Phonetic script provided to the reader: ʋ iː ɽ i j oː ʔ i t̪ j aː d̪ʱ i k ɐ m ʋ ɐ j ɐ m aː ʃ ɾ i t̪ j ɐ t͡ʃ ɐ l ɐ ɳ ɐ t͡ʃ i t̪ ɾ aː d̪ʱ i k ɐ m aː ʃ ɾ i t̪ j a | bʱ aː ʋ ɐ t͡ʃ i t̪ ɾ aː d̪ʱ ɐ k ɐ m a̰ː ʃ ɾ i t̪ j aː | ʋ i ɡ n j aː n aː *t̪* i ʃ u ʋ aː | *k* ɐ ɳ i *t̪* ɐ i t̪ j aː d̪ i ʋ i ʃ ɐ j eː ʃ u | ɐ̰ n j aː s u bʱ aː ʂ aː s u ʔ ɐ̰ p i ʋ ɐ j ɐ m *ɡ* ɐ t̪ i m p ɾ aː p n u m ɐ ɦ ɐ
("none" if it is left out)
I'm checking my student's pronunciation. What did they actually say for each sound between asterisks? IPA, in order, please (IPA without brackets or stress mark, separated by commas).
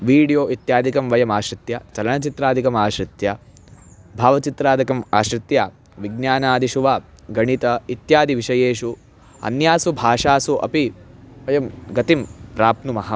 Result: d̪, ɡ, t̪, ɡ